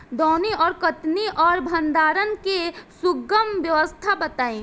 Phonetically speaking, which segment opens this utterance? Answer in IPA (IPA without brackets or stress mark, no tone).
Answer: d̪